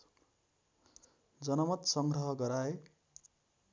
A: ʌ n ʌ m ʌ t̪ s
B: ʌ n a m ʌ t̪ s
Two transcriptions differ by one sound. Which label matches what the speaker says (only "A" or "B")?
A